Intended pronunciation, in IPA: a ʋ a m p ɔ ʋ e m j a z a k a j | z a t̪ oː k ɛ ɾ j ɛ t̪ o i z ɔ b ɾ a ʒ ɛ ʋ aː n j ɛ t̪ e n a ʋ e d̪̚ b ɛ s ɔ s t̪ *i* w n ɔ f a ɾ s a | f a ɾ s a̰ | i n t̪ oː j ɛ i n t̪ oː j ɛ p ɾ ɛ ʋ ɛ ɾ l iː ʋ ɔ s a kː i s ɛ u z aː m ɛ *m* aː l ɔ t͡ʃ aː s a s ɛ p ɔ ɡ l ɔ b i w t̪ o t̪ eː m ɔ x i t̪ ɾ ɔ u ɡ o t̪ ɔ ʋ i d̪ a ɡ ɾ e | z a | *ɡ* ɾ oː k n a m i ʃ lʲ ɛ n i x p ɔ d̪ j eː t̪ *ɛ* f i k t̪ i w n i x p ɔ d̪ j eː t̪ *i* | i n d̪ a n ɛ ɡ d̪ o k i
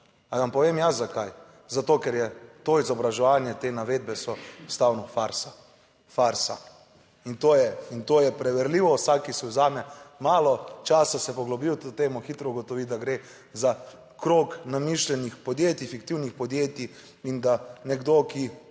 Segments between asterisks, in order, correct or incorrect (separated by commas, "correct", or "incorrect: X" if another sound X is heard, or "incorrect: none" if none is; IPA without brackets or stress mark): incorrect: a, correct, incorrect: k, incorrect: i, correct